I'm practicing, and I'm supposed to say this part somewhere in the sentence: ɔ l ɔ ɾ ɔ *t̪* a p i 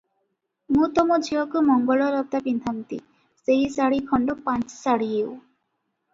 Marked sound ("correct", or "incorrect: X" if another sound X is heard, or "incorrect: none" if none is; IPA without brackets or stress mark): correct